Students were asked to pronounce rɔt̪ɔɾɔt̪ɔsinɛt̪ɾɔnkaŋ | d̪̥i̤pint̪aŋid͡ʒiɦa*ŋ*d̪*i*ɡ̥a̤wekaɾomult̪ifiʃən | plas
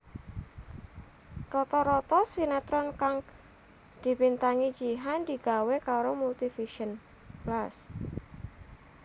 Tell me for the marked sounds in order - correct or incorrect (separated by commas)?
incorrect, correct